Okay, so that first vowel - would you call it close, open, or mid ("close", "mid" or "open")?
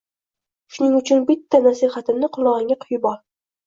close